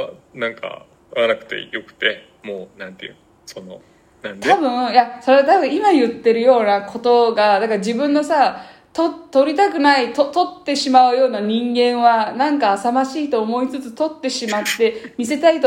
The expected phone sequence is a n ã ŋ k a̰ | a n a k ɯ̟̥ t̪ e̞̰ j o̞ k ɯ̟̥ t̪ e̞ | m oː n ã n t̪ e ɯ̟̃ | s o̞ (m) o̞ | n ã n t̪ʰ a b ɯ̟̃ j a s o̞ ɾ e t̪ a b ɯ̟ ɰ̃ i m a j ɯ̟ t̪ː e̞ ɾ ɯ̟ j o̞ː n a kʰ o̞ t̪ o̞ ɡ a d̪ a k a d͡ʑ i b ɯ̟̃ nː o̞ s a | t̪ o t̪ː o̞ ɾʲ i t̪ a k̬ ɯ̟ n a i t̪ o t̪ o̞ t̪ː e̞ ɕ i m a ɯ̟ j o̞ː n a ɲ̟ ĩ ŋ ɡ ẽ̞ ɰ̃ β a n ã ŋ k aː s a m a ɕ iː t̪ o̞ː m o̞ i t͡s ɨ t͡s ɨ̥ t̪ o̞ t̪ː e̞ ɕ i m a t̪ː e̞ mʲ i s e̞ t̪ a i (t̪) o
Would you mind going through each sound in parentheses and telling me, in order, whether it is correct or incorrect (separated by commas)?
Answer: incorrect, correct